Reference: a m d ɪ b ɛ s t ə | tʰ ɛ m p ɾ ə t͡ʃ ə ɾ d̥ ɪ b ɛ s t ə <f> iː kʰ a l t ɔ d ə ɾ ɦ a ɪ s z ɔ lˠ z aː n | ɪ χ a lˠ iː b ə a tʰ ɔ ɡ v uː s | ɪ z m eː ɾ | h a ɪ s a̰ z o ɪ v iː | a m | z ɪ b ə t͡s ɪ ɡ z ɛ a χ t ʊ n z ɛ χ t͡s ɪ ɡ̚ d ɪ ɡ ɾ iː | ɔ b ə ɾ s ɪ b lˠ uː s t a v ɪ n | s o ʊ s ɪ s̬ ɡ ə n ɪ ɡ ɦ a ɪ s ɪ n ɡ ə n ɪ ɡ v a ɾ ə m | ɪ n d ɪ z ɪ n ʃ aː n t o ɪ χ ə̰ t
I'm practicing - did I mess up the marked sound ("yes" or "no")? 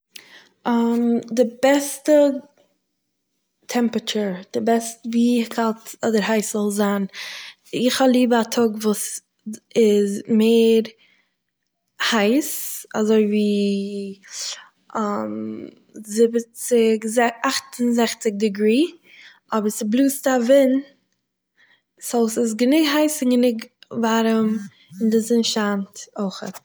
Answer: yes